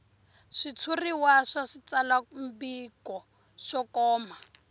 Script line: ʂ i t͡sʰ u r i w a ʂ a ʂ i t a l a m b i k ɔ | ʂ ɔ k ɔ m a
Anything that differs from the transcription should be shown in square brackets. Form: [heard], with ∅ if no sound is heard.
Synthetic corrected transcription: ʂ i t͡sʰ u r i w a ʂ a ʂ i [t͡s] a l a m b i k ɔ | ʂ ɔ k [ɔː] m a